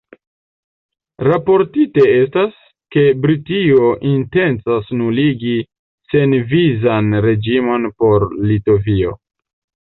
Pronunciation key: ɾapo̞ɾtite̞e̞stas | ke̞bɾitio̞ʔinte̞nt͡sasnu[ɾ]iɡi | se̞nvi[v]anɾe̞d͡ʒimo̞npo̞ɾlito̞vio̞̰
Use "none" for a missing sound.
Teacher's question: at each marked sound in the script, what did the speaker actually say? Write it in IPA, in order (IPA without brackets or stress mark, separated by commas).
l, z